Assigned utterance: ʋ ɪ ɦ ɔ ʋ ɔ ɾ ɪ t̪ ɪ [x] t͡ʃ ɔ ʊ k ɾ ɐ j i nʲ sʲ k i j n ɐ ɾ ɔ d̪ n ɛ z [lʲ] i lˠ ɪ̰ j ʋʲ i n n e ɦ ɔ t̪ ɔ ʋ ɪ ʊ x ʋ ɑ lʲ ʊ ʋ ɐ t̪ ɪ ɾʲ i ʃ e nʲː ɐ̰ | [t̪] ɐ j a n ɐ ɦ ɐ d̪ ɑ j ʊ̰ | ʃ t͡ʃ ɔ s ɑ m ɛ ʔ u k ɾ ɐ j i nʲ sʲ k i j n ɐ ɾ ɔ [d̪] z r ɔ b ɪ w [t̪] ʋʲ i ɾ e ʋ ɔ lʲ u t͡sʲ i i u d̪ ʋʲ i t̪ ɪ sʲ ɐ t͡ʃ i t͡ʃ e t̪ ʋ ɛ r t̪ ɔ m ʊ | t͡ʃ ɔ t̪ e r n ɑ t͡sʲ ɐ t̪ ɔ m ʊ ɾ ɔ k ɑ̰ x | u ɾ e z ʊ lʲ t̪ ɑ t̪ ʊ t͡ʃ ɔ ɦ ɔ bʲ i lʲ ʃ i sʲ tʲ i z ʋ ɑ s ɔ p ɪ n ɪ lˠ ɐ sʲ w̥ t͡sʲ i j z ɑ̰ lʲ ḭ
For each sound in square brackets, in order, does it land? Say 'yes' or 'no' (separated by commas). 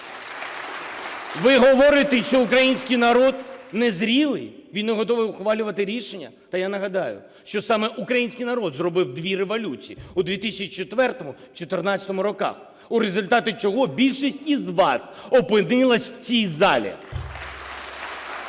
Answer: no, no, yes, yes, no